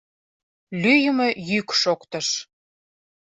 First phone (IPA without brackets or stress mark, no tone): l